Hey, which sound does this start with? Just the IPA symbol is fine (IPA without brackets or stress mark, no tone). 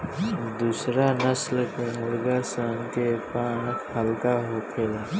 d̪